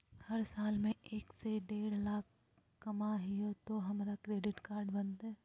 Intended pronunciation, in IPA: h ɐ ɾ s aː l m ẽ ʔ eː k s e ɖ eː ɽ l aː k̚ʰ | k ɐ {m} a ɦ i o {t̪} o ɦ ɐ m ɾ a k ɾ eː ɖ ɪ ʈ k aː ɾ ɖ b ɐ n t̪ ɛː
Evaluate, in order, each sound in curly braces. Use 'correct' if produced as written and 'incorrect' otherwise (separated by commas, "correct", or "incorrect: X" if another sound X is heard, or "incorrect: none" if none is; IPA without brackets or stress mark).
correct, correct